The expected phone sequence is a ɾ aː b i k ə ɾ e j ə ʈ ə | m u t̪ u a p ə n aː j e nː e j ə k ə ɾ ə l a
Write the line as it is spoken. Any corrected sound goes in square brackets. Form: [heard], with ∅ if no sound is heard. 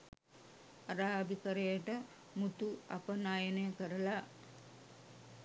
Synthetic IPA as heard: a ɾ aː b i k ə ɾ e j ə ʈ ə | m u t̪ u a p ə n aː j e [n] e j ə k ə ɾ ə l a